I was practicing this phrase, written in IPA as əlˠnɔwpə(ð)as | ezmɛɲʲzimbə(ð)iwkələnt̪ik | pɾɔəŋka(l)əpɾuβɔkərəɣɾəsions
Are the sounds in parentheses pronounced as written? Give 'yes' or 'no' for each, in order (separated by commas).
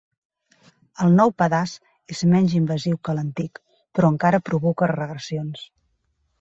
yes, no, no